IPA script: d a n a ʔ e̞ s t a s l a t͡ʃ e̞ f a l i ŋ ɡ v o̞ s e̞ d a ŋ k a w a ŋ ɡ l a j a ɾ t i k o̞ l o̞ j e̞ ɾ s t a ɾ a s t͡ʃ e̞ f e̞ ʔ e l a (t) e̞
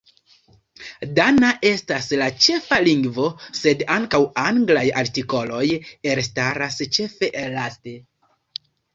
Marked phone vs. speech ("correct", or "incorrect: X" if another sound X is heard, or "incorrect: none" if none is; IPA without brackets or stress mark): correct